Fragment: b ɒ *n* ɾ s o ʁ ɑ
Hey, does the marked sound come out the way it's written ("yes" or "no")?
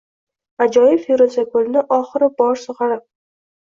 no